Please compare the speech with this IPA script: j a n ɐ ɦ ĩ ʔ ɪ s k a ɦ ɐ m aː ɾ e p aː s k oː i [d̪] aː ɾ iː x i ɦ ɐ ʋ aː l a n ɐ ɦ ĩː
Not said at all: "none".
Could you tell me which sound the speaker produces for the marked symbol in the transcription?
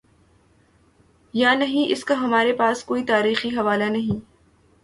t̪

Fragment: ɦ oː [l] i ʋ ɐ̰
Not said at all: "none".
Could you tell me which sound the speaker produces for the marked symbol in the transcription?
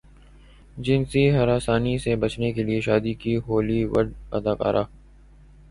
l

